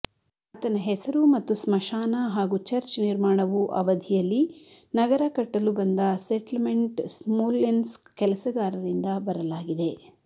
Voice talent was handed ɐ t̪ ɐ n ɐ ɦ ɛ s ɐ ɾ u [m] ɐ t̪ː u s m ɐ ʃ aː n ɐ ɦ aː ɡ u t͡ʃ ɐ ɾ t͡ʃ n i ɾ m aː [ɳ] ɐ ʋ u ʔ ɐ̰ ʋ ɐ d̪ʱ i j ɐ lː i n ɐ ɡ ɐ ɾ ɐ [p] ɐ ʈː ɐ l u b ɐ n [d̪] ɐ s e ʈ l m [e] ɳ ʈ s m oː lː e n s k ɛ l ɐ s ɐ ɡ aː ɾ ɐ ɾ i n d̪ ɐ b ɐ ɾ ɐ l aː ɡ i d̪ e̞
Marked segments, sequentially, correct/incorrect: correct, correct, incorrect, correct, correct

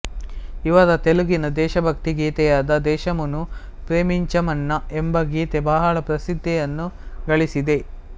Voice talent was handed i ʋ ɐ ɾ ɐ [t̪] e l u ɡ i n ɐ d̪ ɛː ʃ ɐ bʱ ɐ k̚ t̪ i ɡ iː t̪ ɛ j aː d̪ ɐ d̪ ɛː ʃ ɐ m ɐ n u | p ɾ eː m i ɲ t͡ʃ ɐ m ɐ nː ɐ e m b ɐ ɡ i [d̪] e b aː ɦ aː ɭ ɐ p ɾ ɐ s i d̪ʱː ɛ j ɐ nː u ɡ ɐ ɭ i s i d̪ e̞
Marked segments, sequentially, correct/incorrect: correct, incorrect

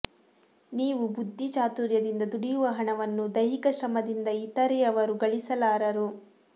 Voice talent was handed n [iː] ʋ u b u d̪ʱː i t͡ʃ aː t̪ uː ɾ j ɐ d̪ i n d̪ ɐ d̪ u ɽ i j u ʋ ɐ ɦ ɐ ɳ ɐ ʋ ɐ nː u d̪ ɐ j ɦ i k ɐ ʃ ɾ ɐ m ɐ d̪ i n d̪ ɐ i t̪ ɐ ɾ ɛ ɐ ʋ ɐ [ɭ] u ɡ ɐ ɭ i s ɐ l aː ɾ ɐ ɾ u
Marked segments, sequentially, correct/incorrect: correct, incorrect

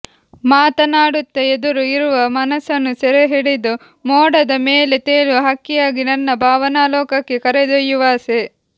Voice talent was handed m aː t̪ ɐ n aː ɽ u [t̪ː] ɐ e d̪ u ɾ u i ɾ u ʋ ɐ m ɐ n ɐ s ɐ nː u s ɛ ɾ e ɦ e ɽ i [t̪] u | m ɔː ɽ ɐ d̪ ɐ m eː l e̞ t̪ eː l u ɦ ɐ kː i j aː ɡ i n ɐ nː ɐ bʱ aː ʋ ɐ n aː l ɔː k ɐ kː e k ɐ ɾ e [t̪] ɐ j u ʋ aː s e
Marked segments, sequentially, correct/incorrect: correct, incorrect, incorrect

